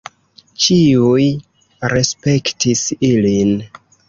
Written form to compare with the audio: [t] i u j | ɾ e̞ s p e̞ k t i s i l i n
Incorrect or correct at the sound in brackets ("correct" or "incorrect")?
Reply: incorrect